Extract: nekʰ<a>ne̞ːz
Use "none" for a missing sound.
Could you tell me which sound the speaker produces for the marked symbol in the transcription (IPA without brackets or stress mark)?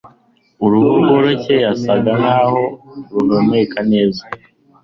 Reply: a